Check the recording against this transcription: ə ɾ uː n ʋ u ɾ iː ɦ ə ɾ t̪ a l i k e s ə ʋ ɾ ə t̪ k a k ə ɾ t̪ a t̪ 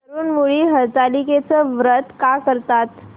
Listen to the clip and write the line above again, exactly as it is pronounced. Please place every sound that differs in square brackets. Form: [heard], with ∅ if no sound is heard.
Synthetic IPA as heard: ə ɾ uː n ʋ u [ɭ] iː ɦ ə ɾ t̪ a l i k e [t͡s] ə ʋ ɾ ə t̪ k a k ə ɾ t̪ a t̪